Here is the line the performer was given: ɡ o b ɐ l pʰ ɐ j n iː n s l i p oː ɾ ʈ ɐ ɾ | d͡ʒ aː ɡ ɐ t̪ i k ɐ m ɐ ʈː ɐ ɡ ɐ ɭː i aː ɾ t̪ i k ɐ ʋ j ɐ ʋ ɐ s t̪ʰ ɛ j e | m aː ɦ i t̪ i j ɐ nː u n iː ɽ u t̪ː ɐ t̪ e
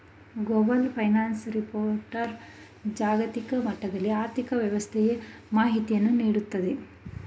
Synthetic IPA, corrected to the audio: ɡ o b ɐ l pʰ ɐ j n aː n s ɾ i p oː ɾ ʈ ɐ ɾ | d͡ʒ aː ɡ ɐ t̪ i k ɐ m ɐ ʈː ɐ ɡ ɐ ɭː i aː ɾ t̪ i k ɐ ʋ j ɐ ʋ ɐ s t̪ʰ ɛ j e | m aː ɦ i t̪ i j ɐ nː u n iː ɽ u t̪ː ɐ d̪ e